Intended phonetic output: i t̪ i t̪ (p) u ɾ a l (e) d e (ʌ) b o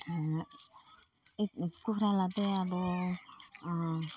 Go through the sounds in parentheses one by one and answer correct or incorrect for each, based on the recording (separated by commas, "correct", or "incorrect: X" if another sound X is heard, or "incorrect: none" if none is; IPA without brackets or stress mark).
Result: incorrect: k, incorrect: a, incorrect: a